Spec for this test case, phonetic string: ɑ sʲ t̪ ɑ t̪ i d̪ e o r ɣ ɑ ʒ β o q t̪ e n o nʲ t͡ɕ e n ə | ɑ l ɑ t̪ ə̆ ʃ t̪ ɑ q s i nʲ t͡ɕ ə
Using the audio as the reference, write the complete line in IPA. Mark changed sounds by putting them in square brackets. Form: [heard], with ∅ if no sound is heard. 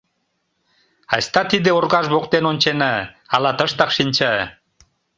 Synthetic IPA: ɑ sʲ t̪ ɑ t̪ i d̪ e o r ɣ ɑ ʒ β o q t̪ e n o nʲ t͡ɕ e n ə | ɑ l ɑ t̪ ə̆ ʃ t̪ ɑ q [ʃ] i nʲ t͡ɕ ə